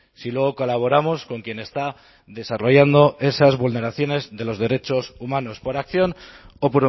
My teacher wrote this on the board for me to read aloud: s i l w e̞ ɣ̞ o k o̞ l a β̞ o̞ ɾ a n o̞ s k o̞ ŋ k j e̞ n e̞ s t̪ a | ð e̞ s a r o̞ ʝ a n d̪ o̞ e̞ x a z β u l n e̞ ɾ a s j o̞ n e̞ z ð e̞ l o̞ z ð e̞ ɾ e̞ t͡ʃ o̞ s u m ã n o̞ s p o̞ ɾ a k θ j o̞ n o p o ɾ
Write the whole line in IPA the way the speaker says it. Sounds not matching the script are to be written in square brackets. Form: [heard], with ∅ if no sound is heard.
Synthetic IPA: s i l w e̞ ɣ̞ o k o̞ l a β̞ o̞ ɾ a [m] o̞ s k o̞ ŋ k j e̞ n e̞ s t̪ a | ð e̞ s a r o̞ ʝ a n d̪ o̞ e̞ [s] a z β u l n e̞ ɾ a [θ] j o̞ n e̞ z ð e̞ l o̞ z ð e̞ ɾ e̞ t͡ʃ o̞ s u m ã n o̞ s p o̞ ɾ a k θ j o̞ n o p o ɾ